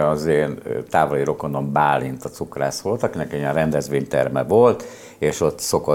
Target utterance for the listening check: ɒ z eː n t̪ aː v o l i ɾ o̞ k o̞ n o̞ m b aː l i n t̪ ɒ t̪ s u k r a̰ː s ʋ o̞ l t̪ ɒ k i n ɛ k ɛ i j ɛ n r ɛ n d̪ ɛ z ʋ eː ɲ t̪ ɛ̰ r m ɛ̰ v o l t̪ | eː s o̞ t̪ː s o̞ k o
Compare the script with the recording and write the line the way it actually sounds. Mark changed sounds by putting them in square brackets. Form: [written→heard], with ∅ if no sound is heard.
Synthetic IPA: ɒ z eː n t̪ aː v o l i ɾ o̞ k o̞ n o̞ m b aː l i n t̪ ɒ t̪ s u k r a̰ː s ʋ o̞ l t̪ ɒ k i n ɛ k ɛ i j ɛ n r ɛ n d̪ ɛ z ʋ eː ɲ t̪ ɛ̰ r m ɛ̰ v o l t̪ | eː [s→ʃ] o̞ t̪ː s o̞ k o